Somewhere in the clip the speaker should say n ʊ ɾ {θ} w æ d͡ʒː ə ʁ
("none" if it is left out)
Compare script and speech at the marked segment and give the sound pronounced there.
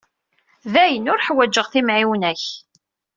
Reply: ħ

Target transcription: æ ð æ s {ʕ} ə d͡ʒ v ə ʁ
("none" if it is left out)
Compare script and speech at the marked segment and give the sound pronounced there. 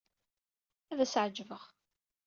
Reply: ʕ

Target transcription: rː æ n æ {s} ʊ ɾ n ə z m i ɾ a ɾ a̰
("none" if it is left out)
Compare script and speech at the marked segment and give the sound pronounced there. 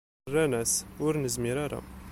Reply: s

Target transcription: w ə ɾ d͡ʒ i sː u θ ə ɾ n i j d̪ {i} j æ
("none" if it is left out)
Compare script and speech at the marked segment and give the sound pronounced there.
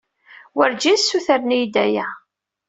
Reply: æ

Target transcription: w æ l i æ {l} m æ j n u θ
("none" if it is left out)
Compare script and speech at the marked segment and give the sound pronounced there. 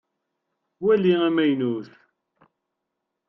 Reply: none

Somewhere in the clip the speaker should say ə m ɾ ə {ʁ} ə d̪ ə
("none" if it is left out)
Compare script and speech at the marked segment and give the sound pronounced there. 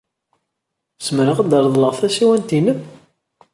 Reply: ʁ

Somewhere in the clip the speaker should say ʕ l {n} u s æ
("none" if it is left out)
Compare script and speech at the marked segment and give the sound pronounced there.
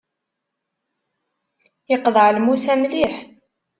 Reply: m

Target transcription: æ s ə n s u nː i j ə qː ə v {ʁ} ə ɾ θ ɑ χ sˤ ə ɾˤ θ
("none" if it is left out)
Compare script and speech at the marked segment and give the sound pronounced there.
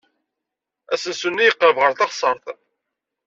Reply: ʁ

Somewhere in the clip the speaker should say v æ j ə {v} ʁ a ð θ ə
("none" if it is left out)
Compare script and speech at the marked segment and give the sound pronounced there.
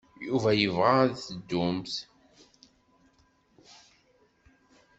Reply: v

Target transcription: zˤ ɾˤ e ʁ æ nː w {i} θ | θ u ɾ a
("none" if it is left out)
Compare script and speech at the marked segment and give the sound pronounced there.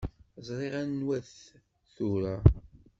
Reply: æ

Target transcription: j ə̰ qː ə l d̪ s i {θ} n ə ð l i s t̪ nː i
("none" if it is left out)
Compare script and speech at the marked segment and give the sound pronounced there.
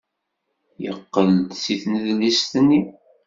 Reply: θ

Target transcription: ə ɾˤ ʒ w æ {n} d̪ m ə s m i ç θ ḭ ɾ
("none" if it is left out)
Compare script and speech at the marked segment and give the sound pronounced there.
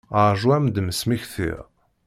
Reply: m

